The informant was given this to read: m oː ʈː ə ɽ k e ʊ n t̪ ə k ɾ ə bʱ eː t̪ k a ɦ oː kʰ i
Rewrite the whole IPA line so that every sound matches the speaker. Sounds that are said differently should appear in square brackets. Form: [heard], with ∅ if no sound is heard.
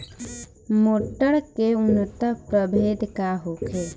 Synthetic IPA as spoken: m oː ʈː ə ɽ k e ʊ n t̪ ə [p] ɾ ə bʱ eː [d̪] k a ɦ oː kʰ [e]

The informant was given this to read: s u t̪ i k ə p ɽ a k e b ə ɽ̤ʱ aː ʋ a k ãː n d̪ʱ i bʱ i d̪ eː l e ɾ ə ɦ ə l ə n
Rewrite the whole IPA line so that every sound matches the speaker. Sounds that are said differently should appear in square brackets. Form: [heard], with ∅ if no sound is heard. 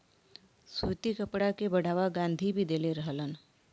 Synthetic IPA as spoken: s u t̪ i k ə p ɽ a k e b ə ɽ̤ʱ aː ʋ a [ɡ] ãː n d̪ʱ i bʱ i d̪ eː l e ɾ ə ɦ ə l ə n

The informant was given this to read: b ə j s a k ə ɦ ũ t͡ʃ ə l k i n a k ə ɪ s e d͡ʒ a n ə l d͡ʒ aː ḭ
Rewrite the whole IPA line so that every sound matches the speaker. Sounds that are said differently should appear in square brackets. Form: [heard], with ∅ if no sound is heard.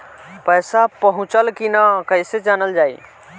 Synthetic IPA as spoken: [p] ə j s a [p] ə ɦ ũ t͡ʃ ə l k i n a k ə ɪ s e d͡ʒ a n ə l d͡ʒ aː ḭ

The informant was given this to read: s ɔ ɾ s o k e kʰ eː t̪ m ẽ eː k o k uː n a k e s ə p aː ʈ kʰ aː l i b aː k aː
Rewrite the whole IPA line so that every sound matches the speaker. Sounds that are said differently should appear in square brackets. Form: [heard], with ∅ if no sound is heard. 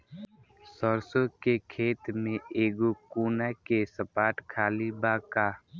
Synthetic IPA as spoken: s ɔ ɾ s o k e kʰ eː t̪ m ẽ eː [ɡ] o k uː n a k e s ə p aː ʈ kʰ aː l i b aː k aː

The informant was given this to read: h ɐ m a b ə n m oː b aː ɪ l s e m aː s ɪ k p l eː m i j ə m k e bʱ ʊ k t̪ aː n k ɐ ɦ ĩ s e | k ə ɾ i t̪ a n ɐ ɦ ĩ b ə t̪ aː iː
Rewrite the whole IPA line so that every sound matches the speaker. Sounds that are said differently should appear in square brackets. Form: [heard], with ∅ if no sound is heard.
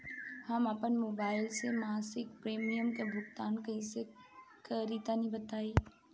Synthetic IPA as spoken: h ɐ m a [p] ə n m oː b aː ɪ l s e m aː s ɪ k p [ɾ] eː m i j ə m k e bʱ ʊ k t̪ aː n k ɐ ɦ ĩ s e | k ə ɾ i t̪ a n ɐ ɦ ĩ b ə t̪ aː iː

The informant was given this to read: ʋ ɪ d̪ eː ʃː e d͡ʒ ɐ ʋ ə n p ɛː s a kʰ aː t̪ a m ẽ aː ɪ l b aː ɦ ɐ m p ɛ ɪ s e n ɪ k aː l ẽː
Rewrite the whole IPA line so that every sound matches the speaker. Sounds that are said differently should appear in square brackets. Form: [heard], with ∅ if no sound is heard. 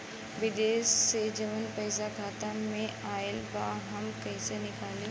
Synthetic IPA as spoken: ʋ ɪ d̪ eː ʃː e d͡ʒ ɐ ʋ ə n p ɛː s a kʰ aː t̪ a m ẽ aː ɪ l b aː ɦ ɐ m [k] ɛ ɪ s e n ɪ k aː l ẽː

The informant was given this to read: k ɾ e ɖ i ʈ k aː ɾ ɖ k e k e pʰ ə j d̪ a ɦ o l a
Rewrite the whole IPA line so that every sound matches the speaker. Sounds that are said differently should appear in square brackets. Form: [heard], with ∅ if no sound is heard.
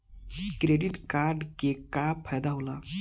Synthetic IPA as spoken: k ɾ e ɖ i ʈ k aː ɾ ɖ k e k [a] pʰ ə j d̪ a ɦ o l a

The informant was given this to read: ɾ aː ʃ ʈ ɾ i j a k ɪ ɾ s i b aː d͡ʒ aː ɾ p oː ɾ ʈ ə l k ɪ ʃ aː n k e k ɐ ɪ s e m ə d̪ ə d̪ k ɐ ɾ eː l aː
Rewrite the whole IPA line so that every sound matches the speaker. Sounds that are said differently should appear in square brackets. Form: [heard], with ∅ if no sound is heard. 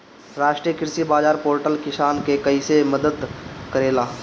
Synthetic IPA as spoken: ɾ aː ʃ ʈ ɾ i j [ə] k ɪ ɾ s i b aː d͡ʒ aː ɾ p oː ɾ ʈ ə l k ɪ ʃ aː n k e k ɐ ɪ s e m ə d̪ ə d̪ k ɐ ɾ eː l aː

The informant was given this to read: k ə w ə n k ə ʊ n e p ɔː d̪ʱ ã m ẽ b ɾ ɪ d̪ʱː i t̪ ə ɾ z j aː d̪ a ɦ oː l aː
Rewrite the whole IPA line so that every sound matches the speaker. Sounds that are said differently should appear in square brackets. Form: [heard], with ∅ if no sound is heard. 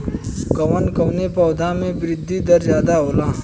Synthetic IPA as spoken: k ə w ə n k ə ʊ n e p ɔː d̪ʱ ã m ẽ b ɾ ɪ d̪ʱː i [d̪] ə ɾ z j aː d̪ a ɦ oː l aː

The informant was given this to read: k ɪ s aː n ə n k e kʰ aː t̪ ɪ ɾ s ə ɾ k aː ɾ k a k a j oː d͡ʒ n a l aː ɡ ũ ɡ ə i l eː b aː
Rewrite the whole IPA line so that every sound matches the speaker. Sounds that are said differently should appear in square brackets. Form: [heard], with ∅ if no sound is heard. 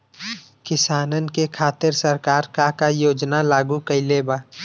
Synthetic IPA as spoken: k ɪ s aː n ə n k e kʰ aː t̪ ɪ ɾ s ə ɾ k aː ɾ k a k a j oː d͡ʒ n a l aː ɡ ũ [k] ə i l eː b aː

